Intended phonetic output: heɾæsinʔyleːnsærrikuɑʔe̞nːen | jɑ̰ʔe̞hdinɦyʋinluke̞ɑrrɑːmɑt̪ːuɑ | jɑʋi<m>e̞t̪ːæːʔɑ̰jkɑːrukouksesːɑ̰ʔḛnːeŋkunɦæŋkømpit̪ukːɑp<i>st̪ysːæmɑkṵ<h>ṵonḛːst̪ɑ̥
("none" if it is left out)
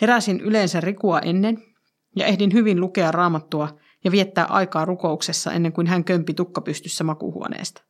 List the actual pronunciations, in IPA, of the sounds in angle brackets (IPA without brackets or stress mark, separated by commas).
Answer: none, y, h